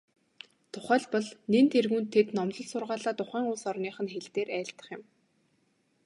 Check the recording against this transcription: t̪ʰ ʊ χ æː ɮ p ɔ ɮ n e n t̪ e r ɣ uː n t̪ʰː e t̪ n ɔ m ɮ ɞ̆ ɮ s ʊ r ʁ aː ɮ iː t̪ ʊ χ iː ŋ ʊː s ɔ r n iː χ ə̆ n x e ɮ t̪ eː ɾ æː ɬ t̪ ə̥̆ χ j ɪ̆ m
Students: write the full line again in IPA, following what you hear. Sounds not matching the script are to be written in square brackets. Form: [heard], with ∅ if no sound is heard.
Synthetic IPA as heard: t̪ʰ ʊ χ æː ɮ p ɔ ɮ n e n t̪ e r ɣ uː n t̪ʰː e t̪ n ɔ m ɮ ɞ̆ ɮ s ʊ r ʁ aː ɮ [aː] t̪ ʊ χ [æː] ŋ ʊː s ɔ r n iː χ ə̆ n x e ɮ t̪ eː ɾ æː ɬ t̪ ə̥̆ χ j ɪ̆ m